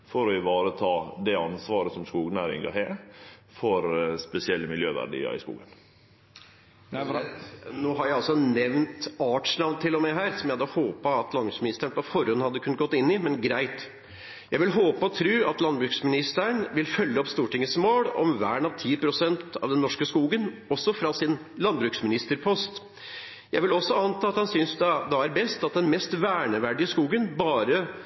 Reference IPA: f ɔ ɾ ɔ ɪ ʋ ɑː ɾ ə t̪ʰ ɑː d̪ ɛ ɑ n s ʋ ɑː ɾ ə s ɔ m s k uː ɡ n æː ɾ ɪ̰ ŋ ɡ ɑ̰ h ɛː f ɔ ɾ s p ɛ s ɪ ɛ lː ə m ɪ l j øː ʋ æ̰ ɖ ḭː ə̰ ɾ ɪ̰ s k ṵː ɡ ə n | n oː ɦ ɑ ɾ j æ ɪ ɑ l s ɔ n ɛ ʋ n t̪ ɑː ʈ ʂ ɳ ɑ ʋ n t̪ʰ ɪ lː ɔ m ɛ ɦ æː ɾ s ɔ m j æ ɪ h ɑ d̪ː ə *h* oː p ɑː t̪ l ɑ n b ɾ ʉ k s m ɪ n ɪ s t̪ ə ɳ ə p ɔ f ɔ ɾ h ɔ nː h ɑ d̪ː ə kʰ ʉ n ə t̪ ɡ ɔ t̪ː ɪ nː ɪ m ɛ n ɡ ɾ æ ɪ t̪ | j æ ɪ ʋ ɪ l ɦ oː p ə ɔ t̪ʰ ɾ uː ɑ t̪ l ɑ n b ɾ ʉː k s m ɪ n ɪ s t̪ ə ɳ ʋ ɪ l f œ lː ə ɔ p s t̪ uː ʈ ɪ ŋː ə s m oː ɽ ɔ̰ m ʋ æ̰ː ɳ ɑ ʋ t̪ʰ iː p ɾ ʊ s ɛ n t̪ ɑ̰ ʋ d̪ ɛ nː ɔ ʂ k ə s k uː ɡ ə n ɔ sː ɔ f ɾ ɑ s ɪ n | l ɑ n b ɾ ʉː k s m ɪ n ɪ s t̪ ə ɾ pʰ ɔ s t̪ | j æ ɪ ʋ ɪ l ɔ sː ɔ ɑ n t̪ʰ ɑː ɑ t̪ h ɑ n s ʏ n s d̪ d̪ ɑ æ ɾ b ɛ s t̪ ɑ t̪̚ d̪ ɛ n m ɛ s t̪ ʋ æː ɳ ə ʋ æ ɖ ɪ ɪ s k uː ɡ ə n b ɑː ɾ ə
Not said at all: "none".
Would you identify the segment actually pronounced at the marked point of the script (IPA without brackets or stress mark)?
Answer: h